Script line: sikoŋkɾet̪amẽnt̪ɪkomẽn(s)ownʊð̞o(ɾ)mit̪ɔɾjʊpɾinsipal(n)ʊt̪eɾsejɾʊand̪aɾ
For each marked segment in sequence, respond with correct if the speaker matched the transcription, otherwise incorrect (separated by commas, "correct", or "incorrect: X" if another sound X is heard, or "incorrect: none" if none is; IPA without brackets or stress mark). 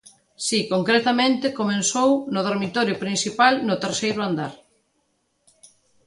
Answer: correct, correct, correct